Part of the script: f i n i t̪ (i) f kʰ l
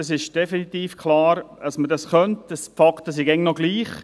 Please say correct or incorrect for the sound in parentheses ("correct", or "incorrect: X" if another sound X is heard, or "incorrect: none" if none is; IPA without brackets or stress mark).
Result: incorrect: iː